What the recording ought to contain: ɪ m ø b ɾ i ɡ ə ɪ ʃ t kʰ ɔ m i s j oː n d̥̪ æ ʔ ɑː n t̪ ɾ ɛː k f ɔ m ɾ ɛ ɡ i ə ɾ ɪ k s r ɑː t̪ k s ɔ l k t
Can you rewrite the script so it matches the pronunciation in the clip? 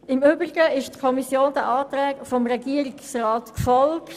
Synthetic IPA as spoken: ɪ m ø b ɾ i ɡ ə ɪ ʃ t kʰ ɔ m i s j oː n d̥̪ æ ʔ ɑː t̪ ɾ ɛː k f ɔ m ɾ ɛ ɡ i ə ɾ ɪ k s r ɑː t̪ k f ɔ l k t